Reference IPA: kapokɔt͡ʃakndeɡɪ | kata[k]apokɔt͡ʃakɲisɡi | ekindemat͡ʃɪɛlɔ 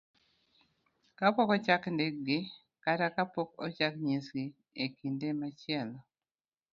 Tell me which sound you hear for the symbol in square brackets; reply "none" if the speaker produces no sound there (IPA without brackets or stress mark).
k